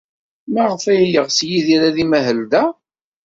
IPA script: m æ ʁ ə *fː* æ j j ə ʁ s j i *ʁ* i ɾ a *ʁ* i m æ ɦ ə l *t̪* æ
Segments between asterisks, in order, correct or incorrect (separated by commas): incorrect, incorrect, incorrect, incorrect